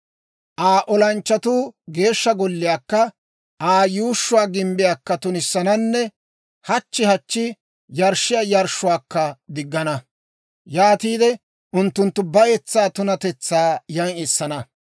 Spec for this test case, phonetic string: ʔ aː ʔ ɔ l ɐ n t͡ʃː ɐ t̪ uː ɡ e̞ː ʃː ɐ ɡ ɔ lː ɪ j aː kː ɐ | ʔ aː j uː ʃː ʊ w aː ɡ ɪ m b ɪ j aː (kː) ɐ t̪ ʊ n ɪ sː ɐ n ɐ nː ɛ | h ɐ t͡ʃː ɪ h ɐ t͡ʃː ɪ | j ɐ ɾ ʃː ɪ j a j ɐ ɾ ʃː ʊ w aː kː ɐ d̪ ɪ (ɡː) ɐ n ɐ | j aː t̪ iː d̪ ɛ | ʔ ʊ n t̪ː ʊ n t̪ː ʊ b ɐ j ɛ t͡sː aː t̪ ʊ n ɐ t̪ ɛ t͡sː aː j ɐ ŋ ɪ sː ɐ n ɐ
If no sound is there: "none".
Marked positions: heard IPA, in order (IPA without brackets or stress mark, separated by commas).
kː, ɡː